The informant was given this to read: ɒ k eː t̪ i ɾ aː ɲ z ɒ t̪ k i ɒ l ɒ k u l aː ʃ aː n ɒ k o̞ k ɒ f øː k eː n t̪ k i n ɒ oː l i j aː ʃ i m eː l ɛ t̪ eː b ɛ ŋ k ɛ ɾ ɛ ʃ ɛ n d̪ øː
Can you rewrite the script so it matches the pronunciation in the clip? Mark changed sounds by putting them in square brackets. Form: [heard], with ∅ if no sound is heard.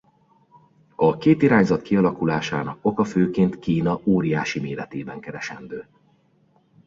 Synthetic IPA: ɒ k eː t̪ i ɾ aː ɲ z ɒ t̪ k i ɒ l ɒ k u l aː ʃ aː n ɒ k o̞ k ɒ f øː k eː n t̪ k [iː] n ɒ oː [ɾ] i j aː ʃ i m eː l ɛ t̪ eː b ɛ ŋ k ɛ ɾ ɛ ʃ ɛ n d̪ øː